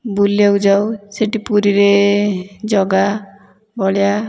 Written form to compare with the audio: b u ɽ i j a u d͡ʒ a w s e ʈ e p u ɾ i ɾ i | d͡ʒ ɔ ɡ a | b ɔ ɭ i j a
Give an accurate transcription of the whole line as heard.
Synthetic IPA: b u l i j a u d͡ʒ a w s e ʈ i p u ɾ i ɾ e | d͡ʒ ɔ ɡ a | b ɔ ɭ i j a